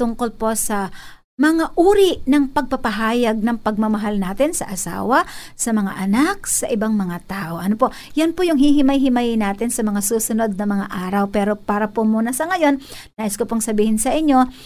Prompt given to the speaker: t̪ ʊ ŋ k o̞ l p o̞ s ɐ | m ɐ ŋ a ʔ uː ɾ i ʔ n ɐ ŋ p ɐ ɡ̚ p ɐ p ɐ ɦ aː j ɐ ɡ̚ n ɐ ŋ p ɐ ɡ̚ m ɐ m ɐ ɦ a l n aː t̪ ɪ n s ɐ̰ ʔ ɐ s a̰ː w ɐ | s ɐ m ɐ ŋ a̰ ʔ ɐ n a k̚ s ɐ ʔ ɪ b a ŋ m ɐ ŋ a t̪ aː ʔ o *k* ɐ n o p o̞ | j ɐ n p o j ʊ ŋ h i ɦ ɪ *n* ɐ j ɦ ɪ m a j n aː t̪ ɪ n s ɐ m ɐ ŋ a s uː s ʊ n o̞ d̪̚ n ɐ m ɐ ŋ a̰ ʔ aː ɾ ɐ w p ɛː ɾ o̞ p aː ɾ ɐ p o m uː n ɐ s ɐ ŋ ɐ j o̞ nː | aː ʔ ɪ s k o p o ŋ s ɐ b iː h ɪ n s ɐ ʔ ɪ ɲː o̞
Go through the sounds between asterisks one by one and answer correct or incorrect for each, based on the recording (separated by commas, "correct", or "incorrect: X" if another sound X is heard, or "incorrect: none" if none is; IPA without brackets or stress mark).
incorrect: ʔ, incorrect: m